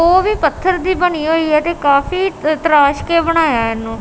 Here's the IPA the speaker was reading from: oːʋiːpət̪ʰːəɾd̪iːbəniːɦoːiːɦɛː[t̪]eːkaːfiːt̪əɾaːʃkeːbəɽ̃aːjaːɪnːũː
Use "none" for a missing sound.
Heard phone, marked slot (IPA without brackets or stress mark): t̪